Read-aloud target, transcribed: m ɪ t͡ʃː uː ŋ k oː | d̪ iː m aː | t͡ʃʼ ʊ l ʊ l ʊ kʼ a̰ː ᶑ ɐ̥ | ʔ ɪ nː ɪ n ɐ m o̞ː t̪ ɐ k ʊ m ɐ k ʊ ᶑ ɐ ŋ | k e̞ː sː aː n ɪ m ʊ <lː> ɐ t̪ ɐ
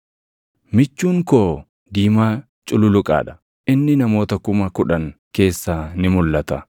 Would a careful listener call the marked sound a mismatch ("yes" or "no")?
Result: no